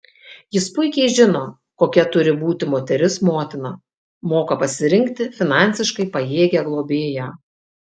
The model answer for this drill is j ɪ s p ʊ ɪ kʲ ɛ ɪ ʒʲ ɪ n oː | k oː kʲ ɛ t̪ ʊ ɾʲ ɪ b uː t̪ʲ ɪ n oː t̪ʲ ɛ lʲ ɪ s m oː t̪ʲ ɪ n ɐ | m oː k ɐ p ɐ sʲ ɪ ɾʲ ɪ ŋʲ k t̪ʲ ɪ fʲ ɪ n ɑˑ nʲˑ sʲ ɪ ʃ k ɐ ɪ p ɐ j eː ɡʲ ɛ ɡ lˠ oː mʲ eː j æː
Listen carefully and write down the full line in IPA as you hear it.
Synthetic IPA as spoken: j ɪ s p ʊ ɪ kʲ ɛ ɪ ʒʲ ɪ n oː | k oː kʲ ɛ t̪ ʊ ɾʲ ɪ b uː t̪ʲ ɪ m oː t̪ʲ ɛ ɾʲ ɪ s m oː t̪ʲ ɪ n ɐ | m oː k ɐ p ɐ sʲ ɪ ɾʲ ɪ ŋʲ k t̪ʲ ɪ fʲ ɪ n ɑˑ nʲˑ sʲ ɪ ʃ k ɐ ɪ p ɐ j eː ɡʲ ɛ ɡ lˠ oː bʲ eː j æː